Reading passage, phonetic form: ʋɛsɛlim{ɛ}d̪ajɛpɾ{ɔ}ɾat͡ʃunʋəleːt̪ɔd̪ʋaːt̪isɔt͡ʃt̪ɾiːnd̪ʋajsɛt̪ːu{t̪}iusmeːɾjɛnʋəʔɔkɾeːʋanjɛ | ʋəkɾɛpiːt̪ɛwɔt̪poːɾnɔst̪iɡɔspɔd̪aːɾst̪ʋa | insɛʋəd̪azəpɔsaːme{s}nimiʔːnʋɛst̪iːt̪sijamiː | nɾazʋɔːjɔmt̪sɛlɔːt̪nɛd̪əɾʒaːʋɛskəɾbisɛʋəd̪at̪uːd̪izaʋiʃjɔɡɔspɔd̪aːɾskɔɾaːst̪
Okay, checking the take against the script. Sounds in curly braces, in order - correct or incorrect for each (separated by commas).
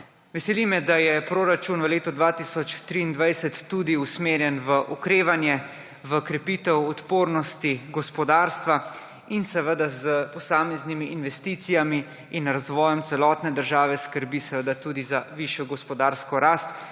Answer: correct, incorrect, incorrect, incorrect